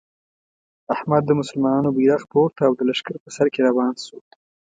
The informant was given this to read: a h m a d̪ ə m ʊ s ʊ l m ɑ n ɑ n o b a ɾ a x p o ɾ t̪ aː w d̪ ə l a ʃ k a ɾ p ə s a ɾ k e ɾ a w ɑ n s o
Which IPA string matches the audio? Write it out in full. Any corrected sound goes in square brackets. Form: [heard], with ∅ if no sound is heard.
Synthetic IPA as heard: a h m a [d̪ː] ə m ʊ s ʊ l m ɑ n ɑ n o b [i] ɾ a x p o ɾ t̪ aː w d̪ ə l a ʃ k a ɾ p ə s a ɾ k e ɾ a w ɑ n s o